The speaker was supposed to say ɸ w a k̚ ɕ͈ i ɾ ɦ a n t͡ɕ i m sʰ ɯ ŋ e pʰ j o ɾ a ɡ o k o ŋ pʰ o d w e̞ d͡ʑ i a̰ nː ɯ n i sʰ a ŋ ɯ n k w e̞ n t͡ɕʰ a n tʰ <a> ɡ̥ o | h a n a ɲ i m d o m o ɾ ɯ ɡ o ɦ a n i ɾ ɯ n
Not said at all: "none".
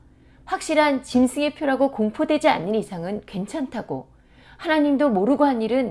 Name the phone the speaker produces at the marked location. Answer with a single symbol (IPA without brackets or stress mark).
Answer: a